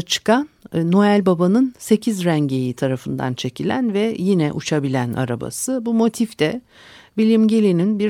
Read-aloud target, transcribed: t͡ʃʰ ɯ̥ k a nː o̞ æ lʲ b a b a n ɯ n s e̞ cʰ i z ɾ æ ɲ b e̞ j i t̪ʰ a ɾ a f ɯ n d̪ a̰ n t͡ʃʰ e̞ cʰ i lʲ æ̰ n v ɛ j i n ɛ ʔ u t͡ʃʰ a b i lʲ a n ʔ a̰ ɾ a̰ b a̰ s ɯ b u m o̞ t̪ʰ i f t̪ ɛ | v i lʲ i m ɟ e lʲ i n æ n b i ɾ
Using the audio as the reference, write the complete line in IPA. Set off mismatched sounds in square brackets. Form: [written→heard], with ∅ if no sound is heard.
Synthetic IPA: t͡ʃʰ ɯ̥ k a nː o̞ æ lʲ b a b a n ɯ n s e̞ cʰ i z ɾ æ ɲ [b→ɟ] e̞ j i t̪ʰ a ɾ a f ɯ n d̪ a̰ n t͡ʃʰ e̞ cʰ i lʲ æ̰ n v ɛ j i n ɛ ʔ u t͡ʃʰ a b i lʲ [a→æ] n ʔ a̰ ɾ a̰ b a̰ s ɯ b u m o̞ t̪ʰ i f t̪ ɛ | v i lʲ i m ɟ e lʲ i n [æ→i] n b i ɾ